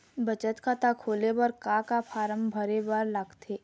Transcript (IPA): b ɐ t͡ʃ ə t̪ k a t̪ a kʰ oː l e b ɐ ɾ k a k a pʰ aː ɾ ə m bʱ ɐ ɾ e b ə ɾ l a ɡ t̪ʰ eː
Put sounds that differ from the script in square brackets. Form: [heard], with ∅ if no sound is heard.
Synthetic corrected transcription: b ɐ t͡ʃ ə t̪ k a t̪ a kʰ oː l e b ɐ ɾ k a k a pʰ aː ɾ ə m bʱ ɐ ɾ e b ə ɾ l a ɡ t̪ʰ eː